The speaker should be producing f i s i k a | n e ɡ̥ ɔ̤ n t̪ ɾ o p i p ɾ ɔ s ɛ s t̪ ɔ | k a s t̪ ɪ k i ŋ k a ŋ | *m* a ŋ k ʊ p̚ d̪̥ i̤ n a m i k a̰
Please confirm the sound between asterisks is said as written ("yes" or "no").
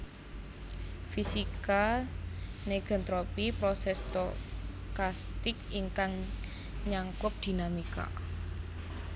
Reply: no